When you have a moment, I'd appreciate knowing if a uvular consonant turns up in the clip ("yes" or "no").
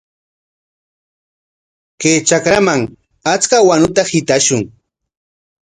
no